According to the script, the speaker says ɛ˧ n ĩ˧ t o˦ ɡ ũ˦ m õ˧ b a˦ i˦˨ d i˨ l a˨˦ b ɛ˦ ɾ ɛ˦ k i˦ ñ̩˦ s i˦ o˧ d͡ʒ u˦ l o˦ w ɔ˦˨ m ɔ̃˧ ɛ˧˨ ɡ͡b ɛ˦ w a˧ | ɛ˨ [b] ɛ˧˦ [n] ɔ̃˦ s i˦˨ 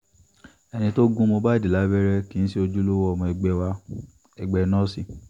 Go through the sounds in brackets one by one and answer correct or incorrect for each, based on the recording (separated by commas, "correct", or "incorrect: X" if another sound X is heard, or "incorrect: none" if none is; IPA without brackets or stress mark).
incorrect: ɡ͡b, correct